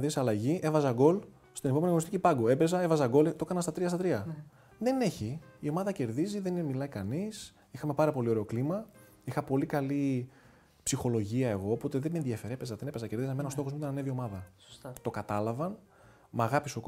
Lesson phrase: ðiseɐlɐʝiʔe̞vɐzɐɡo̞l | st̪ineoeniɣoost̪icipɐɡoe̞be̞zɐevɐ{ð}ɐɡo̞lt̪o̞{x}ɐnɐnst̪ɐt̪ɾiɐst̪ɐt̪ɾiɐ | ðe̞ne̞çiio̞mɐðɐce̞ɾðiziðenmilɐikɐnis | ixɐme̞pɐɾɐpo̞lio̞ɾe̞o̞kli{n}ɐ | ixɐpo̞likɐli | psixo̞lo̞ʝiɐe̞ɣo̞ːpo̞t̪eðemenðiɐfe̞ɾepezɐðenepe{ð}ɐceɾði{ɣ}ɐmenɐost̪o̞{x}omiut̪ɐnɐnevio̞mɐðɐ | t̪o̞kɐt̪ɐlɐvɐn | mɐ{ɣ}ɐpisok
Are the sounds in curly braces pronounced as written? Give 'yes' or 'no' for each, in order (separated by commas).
no, no, no, no, no, yes, yes